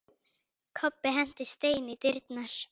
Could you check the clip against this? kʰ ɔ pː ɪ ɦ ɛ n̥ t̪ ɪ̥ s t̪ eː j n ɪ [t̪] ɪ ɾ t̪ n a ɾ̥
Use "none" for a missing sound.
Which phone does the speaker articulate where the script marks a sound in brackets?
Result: t̪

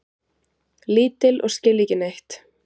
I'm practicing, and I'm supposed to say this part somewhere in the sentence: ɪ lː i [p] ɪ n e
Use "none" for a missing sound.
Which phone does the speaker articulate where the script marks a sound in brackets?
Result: c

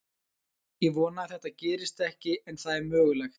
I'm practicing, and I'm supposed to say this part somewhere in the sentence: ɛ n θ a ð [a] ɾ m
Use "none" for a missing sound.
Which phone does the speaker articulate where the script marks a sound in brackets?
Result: ɛ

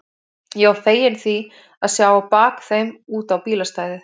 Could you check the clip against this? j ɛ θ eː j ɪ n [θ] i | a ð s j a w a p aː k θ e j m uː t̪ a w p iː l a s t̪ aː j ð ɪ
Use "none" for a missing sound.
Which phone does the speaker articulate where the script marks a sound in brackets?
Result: θ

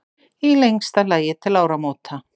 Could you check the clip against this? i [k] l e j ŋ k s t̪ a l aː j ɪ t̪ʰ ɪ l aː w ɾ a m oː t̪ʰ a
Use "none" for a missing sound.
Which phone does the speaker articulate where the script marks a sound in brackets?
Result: none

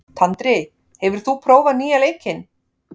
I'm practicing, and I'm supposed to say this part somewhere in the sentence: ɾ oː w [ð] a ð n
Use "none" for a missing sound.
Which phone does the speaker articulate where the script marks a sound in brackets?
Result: v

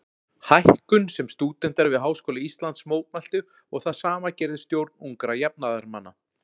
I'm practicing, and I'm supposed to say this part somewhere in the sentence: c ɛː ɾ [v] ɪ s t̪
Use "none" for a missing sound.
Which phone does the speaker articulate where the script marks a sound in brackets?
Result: ð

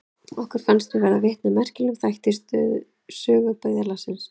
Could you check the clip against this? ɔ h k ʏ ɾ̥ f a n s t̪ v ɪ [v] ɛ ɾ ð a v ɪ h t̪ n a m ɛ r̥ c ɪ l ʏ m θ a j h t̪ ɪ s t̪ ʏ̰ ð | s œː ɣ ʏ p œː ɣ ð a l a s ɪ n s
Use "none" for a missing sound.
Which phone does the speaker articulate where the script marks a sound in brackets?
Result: v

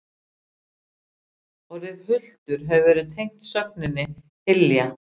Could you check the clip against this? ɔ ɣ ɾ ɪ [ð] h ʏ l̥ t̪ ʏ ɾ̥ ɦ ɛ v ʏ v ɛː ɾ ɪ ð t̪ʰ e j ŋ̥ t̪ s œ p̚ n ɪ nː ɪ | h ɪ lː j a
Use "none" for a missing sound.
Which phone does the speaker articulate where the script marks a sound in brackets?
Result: ð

